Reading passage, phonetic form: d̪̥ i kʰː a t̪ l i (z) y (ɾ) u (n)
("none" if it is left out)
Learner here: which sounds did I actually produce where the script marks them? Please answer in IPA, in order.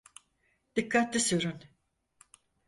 s, ɾ, n

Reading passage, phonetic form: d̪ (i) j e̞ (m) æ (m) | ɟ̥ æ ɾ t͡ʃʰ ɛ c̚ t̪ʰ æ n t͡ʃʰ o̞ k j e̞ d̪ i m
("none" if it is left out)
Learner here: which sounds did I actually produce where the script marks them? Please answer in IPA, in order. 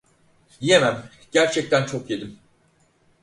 i, m, m

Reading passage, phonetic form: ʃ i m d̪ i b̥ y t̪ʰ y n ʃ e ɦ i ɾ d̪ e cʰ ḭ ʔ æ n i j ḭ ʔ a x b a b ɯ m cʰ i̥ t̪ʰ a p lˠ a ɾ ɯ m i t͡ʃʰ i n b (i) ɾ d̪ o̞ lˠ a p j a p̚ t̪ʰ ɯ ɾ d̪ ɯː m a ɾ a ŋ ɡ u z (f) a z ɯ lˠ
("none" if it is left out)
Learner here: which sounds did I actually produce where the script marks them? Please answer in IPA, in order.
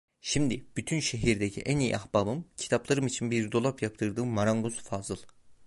i, f

